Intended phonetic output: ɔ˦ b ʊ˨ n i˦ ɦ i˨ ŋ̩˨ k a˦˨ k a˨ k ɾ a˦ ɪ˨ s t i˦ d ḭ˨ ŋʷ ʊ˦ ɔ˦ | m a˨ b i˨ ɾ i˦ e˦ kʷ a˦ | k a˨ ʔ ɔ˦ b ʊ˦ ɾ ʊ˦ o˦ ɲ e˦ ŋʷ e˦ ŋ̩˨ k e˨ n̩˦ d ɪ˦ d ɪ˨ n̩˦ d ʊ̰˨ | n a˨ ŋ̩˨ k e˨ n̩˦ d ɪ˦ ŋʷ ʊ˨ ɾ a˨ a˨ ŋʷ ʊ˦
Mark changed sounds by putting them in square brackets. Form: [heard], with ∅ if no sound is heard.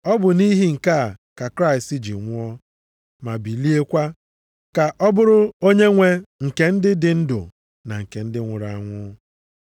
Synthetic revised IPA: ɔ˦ b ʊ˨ n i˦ ɦ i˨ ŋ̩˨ k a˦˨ k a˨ k ɾ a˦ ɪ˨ s t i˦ [d͡ʒ] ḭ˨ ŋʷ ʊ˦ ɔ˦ | m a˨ b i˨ [l] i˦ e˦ kʷ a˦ | k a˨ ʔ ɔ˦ b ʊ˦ ɾ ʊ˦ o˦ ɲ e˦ ŋʷ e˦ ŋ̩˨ k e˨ n̩˦ d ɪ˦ d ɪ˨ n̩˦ d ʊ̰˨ | n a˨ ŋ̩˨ k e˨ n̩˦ d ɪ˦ ŋʷ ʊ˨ ɾ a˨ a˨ ŋʷ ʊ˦